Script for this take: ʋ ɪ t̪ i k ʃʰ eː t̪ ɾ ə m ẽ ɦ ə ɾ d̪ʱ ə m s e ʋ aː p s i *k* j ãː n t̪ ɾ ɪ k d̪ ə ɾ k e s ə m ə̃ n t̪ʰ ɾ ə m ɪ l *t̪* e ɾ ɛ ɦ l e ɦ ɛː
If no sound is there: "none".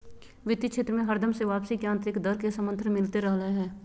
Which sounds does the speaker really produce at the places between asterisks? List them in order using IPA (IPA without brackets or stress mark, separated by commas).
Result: k, t̪